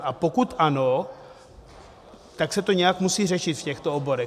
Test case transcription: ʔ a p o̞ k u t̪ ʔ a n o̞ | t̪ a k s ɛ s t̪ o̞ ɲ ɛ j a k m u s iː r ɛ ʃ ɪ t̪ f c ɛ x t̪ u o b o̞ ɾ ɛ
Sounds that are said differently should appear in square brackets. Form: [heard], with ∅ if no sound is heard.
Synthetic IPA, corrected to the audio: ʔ a p o̞ k u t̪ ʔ a n o̞ | t̪ a k s ɛ [∅] t̪ o̞ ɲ ɛ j a k m u s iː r ɛ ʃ ɪ t̪ f c ɛ x t̪ [o] o b o̞ ɾ ɛ